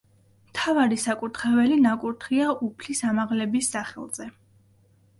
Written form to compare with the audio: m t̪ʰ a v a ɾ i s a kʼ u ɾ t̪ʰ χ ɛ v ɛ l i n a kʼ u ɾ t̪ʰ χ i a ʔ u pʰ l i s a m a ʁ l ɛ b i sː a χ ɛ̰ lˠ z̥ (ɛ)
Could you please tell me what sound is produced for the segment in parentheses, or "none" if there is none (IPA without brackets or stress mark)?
ɛ